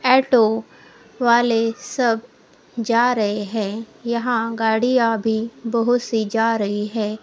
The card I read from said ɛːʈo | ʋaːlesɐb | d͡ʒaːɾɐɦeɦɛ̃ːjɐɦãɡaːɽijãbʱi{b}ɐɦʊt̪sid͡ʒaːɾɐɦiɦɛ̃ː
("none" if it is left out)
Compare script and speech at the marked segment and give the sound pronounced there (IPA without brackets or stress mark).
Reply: b